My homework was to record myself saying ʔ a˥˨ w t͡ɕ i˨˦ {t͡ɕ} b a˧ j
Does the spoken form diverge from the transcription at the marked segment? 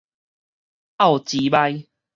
yes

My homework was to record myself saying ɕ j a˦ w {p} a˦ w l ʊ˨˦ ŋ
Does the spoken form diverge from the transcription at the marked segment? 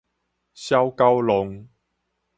yes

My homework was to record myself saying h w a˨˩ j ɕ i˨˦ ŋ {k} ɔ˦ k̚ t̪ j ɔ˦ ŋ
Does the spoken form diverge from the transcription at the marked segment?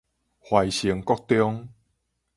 no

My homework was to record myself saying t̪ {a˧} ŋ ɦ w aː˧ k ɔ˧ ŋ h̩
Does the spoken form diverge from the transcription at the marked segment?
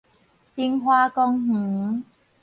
yes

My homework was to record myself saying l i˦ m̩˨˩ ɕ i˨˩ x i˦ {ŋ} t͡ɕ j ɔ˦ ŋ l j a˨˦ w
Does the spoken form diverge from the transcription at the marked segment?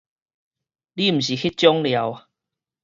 yes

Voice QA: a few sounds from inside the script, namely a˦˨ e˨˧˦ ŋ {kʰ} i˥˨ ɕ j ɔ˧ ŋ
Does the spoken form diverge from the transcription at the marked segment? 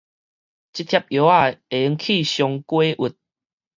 no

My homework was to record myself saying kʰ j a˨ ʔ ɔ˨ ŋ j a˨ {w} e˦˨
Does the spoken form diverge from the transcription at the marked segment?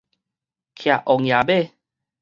yes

